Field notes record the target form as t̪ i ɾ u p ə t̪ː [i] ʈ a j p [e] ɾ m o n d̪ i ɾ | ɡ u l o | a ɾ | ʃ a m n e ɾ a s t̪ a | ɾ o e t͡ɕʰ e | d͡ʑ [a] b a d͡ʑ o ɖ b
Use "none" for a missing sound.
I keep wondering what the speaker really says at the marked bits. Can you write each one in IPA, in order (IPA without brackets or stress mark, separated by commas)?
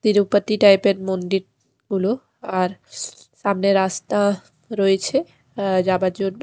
i, e, a